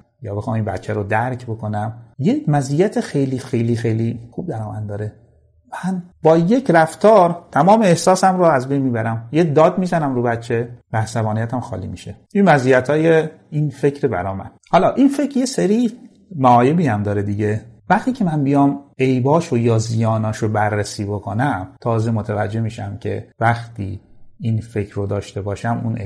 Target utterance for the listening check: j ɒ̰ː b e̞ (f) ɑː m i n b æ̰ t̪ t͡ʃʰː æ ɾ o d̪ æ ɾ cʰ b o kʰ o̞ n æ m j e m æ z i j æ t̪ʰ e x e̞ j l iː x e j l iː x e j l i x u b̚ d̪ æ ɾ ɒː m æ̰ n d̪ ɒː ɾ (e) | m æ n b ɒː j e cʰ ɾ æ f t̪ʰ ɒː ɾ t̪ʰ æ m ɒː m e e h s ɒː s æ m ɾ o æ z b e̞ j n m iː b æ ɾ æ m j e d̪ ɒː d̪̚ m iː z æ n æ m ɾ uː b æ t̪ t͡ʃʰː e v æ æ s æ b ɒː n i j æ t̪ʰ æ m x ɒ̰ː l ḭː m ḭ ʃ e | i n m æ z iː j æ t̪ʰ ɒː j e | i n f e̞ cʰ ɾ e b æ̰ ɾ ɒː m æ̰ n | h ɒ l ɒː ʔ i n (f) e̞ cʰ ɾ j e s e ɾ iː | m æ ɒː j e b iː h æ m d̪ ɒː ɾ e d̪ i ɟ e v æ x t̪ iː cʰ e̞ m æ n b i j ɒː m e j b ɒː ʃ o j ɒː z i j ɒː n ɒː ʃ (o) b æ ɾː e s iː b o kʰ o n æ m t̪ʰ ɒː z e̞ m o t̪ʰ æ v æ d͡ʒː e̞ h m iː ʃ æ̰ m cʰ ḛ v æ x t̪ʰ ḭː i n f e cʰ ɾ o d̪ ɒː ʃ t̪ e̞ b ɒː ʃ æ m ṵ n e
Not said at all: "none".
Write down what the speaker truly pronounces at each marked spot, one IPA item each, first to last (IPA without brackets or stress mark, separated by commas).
x, e, f, o